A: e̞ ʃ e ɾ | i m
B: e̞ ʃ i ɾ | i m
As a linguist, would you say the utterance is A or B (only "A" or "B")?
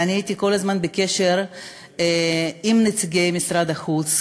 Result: A